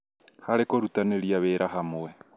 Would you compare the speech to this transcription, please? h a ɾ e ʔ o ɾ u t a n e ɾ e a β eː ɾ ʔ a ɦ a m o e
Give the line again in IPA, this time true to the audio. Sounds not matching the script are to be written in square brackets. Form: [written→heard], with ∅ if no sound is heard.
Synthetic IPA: h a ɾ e [ʔ→k] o ɾ u t a n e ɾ [e→i] a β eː ɾ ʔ a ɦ a m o e